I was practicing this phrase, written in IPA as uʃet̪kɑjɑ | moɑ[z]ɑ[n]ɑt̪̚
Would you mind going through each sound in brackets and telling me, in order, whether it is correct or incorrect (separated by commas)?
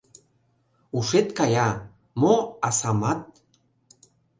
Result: incorrect, incorrect